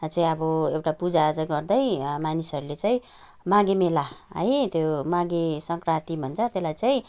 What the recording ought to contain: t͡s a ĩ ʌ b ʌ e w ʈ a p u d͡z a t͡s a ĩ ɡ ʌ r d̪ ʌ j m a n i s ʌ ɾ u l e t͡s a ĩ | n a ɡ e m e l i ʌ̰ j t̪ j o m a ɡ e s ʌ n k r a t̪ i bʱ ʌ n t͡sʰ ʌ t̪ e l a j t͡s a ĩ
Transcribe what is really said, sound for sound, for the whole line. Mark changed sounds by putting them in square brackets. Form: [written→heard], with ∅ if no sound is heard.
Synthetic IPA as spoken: t͡s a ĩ ʌ b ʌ e w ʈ a p u d͡z a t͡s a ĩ ɡ ʌ r d̪ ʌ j m a n i s ʌ ɾ u l e t͡s a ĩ | [n→m] a ɡ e m e l [i→a] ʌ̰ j t̪ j o m a ɡ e s ʌ [n→ŋ] k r a t̪ i bʱ ʌ n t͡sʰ ʌ t̪ e l a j t͡s a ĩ